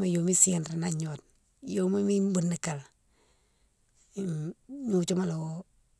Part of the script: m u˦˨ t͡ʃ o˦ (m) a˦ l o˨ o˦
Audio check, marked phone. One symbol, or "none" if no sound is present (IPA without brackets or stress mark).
m